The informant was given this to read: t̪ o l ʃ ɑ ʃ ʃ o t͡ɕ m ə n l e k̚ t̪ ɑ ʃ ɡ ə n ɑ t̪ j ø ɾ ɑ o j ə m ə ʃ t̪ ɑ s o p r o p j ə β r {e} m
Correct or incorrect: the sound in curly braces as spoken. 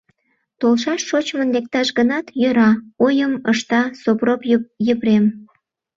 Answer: correct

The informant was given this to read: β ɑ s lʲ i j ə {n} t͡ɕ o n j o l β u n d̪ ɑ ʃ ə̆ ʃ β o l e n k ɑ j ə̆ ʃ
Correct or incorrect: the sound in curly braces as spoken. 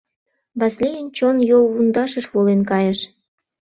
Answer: correct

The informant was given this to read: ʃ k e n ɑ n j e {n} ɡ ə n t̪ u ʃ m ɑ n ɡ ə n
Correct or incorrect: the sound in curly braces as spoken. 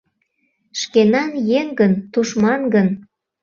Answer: incorrect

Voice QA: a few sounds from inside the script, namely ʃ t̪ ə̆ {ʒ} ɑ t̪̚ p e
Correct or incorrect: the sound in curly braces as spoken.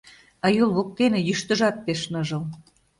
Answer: correct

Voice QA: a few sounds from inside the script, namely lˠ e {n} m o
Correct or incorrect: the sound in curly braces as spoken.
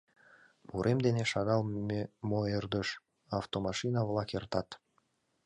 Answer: incorrect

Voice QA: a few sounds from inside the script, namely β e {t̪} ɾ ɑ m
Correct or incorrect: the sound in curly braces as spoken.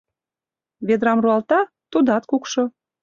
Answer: incorrect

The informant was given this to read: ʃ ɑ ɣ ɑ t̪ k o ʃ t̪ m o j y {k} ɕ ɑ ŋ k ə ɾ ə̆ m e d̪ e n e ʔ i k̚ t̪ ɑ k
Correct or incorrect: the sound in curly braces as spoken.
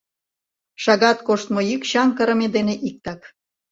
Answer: correct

